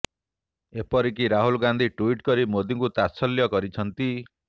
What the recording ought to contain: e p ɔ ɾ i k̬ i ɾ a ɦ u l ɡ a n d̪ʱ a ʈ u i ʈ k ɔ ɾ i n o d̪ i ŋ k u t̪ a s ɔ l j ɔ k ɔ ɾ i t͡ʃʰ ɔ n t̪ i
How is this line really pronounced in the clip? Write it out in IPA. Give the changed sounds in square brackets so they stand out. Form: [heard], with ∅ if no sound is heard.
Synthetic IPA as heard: e p ɔ ɾ i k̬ i ɾ a ɦ u l ɡ a n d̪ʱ [i] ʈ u i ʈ k ɔ ɾ i [m] o d̪ i ŋ k u t̪ a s ɔ l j ɔ k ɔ ɾ i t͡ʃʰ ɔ n t̪ i